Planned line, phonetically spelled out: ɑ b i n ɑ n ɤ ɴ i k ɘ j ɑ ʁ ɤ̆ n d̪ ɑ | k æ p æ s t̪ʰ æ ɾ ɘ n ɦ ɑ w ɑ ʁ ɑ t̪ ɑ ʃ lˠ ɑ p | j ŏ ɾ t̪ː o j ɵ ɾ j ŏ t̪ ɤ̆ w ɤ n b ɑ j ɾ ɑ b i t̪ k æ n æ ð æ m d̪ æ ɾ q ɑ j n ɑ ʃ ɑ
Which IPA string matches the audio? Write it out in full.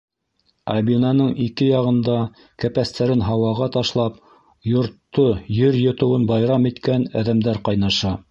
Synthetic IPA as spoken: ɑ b i n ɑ n ɤ ɴ i k ɘ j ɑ ʁ ɤ̆ n d̪ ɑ | k æ p æ s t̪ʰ æ ɾ ɘ n ɦ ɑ w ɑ ʁ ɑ t̪ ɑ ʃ lˠ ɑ p | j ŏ ɾ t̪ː o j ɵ ɾ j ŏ t̪ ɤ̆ w ɤ n b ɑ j ɾ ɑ m i t̪ k æ n æ ð æ m d̪ æ ɾ q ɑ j n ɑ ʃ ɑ